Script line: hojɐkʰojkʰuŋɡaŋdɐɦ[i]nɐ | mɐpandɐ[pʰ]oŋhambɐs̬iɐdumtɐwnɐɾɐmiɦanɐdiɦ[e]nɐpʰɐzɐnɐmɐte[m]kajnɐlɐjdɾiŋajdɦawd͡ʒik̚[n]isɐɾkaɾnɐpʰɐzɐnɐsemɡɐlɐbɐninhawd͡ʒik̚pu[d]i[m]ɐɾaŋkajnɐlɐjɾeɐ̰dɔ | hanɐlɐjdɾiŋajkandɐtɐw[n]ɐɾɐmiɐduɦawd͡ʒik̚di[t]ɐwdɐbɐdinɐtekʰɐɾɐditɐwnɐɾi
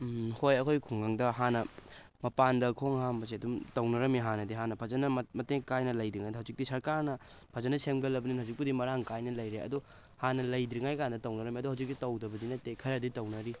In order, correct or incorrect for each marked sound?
incorrect: a, incorrect: kʰ, incorrect: a, incorrect: ŋ, incorrect: d, correct, correct, correct, correct

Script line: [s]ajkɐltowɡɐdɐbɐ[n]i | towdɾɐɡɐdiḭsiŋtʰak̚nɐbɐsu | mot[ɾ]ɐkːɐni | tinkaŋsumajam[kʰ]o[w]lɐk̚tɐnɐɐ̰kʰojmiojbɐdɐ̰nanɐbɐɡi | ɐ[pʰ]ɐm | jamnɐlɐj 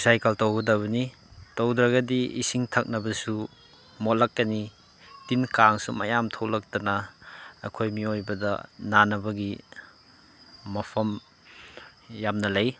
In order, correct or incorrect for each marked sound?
correct, correct, incorrect: l, incorrect: tʰ, correct, correct

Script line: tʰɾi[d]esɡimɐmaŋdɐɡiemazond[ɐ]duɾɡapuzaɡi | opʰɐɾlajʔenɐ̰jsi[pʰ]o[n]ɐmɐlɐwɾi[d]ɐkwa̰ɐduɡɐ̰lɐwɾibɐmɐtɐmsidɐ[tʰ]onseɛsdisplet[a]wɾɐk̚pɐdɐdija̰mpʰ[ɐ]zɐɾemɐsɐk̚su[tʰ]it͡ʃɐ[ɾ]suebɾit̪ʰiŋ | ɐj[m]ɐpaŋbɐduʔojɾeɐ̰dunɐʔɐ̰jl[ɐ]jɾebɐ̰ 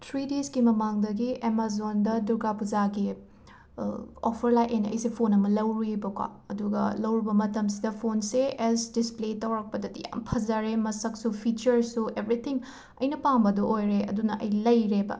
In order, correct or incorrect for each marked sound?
correct, correct, correct, correct, incorrect: b, incorrect: pʰ, incorrect: ɐ, correct, incorrect: pʰ, correct, incorrect: n, correct

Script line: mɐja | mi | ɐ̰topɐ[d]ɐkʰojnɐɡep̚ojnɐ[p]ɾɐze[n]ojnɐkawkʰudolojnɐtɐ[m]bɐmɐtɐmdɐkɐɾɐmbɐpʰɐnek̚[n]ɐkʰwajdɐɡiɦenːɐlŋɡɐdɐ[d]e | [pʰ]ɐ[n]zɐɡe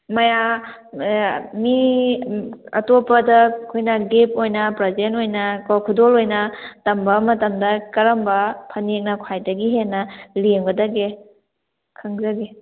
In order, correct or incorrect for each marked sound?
correct, correct, correct, correct, correct, incorrect: ɡ, incorrect: kʰ, incorrect: ŋ

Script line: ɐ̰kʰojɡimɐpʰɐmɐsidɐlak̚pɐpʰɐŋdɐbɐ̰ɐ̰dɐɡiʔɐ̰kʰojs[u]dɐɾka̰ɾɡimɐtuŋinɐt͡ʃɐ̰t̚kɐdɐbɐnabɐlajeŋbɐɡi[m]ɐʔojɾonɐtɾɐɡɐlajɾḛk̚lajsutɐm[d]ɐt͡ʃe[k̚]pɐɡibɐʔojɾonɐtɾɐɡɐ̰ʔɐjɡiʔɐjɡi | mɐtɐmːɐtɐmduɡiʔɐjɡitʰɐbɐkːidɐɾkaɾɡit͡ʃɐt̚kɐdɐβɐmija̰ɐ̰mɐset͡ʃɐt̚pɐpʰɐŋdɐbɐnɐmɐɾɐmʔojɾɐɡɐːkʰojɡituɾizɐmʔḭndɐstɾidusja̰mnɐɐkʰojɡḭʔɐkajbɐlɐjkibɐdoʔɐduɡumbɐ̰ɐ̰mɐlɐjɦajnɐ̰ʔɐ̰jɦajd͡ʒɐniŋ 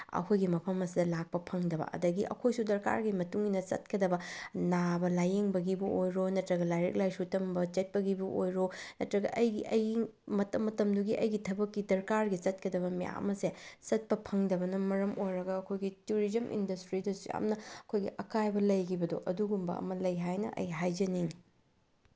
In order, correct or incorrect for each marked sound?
correct, incorrect: b, incorrect: b, incorrect: t̚

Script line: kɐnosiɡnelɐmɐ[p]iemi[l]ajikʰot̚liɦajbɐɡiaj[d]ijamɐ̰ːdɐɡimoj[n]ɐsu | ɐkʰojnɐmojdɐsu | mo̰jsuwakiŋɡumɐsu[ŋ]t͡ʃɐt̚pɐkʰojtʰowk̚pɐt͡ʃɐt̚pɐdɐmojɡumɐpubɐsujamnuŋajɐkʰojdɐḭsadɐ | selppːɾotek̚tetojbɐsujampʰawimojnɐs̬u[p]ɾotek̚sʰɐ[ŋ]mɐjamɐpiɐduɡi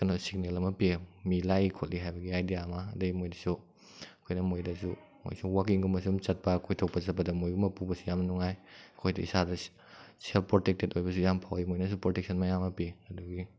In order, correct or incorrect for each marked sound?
correct, correct, correct, incorrect: d, incorrect: m, correct, incorrect: n

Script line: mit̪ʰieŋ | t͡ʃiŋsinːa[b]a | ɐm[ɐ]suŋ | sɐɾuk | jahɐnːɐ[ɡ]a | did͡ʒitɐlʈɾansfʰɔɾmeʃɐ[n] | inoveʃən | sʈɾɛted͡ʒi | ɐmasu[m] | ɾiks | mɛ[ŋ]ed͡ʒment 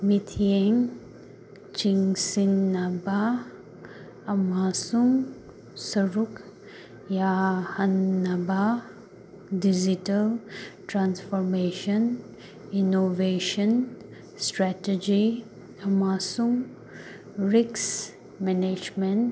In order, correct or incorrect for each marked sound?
correct, incorrect: a, incorrect: b, correct, incorrect: ŋ, incorrect: n

